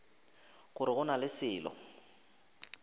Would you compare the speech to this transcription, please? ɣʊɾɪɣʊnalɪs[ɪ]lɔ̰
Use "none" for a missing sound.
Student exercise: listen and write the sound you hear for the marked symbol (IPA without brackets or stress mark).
ɪː